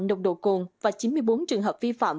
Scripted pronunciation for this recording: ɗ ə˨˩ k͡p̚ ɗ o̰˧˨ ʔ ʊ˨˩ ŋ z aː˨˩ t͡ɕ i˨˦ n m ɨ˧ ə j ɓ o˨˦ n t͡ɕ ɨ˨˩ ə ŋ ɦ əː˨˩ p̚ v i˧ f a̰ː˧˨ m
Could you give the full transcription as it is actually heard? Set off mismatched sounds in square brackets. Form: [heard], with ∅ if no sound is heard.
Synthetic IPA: ɗ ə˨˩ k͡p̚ ɗ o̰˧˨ [k] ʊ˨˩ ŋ [v] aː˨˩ t͡ɕ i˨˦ n m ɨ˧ ə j ɓ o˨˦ n t͡ɕ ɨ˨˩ ə ŋ ɦ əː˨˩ p̚ v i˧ f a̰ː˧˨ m